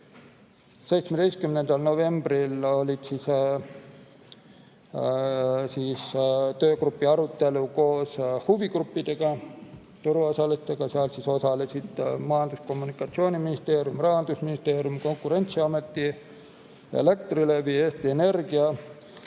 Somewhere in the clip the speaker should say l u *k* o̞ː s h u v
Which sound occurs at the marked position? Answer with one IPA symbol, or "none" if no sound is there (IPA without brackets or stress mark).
k